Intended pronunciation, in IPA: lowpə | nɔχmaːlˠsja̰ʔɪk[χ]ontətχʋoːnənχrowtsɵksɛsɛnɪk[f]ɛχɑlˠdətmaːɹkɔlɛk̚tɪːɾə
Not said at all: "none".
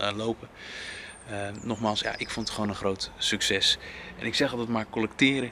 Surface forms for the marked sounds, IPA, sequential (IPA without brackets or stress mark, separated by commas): f, s